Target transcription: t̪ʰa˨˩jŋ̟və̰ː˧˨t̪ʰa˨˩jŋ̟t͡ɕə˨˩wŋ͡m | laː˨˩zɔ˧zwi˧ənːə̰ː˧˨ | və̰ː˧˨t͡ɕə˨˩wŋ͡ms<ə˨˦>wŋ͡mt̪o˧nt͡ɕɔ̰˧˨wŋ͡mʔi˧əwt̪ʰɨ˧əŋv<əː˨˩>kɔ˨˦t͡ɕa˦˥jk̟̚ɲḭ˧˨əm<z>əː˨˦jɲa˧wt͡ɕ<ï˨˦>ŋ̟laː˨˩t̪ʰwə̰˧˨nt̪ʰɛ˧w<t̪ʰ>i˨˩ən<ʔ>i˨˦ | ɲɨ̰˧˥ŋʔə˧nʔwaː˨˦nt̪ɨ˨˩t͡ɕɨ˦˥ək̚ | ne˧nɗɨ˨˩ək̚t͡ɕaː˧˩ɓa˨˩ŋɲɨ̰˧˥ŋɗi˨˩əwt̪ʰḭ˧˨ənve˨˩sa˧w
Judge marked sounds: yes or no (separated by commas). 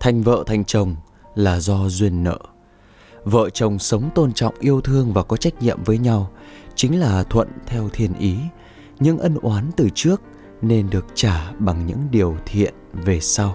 yes, no, no, yes, yes, yes